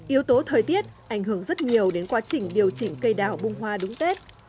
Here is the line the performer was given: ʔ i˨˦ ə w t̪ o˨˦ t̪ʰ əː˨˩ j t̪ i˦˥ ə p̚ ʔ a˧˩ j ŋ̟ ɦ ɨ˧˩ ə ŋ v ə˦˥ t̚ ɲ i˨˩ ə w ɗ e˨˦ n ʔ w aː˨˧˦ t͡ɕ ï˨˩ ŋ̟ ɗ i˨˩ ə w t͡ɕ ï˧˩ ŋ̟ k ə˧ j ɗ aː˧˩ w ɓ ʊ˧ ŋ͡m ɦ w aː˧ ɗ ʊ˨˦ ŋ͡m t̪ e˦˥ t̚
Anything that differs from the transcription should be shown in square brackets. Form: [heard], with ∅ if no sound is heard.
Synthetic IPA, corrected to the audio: ʔ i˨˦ ə w t̪ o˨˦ t̪ʰ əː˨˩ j t̪ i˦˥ ə [t̚] ʔ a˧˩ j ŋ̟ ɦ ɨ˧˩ ə ŋ [z] ə˦˥ t̚ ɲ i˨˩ ə w ɗ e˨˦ n [k] w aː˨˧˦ t͡ɕ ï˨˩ ŋ̟ ɗ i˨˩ ə w t͡ɕ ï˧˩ ŋ̟ k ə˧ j ɗ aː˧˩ w ɓ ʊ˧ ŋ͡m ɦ w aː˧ ɗ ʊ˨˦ ŋ͡m t̪ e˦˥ t̚